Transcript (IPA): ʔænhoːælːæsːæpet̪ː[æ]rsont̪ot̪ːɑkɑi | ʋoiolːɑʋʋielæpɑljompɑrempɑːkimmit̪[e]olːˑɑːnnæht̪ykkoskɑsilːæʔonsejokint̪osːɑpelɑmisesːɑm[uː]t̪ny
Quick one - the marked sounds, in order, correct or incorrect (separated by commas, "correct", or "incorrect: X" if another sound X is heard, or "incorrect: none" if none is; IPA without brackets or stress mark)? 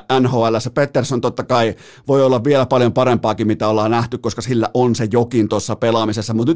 incorrect: e, incorrect: æ, incorrect: u